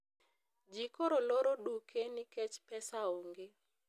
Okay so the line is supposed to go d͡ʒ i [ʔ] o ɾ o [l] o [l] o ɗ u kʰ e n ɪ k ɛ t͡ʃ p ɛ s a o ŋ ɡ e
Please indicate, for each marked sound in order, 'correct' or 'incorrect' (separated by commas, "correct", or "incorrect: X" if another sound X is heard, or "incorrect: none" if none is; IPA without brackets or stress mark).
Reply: incorrect: k, correct, incorrect: ɾ